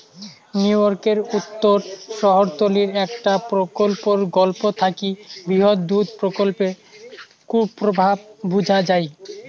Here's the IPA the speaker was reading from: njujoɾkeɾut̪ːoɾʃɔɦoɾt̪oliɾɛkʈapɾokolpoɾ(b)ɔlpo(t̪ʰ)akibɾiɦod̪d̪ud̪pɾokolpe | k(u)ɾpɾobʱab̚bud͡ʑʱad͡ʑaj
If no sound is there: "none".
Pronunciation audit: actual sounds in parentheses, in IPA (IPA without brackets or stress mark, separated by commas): ɡ, t̪ʰ, u